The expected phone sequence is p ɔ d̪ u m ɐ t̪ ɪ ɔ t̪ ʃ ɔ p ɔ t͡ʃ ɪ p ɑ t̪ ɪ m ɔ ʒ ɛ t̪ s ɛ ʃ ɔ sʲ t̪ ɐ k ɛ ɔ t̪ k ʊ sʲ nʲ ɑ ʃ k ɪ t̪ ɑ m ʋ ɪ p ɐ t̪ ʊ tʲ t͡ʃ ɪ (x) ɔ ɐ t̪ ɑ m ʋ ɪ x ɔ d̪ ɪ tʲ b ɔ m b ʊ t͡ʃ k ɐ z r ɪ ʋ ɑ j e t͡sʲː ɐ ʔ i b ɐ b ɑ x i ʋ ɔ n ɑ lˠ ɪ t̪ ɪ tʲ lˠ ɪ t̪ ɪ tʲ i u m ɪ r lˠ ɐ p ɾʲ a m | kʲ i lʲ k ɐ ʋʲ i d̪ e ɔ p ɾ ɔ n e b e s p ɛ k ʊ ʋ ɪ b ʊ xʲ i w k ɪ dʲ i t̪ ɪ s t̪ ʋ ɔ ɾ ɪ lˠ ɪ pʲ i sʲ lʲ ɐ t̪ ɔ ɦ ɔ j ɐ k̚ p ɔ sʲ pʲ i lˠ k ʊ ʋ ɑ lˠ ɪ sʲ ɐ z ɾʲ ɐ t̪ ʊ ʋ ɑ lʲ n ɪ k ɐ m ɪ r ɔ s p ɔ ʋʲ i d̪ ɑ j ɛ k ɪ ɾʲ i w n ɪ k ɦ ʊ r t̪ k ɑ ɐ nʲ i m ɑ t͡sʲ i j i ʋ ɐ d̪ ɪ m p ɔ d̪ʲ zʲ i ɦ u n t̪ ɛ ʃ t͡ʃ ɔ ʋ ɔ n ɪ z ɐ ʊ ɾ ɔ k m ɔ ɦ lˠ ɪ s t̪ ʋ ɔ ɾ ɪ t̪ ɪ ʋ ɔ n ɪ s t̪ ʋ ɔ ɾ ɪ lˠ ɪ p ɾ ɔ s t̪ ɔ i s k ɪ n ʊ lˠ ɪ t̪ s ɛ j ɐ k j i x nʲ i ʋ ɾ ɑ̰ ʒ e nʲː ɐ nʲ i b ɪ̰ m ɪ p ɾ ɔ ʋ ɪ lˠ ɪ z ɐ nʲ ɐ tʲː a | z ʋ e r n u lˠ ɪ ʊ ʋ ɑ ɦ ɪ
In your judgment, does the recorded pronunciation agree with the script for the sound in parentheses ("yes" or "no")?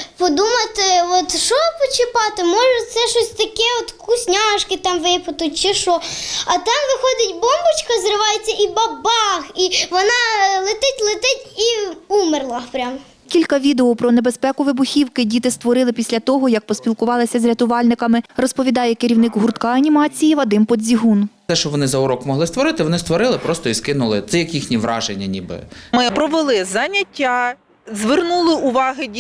no